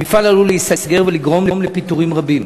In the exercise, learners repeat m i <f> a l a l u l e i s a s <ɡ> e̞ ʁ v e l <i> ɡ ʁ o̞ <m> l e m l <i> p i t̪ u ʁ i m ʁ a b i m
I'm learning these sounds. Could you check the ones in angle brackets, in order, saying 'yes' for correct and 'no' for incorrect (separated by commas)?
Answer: yes, yes, yes, yes, no